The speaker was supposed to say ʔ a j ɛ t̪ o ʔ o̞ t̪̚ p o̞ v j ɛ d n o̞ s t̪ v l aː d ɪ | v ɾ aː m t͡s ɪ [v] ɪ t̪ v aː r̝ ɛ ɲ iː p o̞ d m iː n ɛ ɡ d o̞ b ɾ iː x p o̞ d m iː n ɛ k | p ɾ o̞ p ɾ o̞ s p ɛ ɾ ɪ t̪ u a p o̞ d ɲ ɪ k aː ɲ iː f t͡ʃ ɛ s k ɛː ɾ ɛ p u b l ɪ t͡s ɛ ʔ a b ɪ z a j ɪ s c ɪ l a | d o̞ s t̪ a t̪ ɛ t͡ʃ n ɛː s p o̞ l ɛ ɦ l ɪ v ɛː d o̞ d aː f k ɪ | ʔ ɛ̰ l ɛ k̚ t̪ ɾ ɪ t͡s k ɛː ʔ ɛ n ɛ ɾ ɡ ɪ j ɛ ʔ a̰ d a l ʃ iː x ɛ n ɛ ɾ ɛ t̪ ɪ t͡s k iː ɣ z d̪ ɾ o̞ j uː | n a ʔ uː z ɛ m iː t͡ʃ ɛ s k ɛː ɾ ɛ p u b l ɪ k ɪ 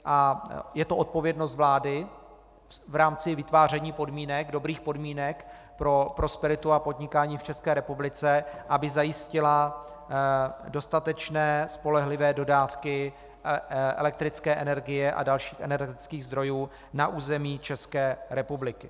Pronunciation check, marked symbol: correct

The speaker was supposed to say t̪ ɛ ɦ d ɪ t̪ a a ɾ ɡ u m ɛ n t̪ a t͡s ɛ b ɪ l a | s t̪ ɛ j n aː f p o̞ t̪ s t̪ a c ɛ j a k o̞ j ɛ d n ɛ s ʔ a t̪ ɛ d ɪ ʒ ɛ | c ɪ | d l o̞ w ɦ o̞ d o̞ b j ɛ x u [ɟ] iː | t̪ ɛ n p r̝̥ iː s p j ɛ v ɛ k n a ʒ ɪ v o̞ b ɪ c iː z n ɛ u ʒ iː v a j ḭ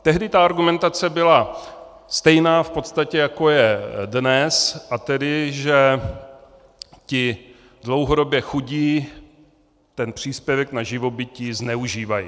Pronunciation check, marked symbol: correct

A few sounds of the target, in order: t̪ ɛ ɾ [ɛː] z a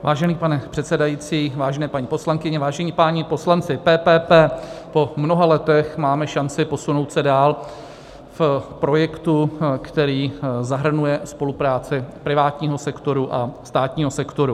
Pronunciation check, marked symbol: incorrect: iː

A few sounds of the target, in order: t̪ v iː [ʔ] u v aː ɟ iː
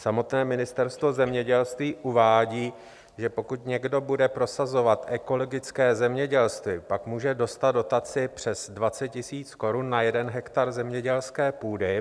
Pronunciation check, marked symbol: correct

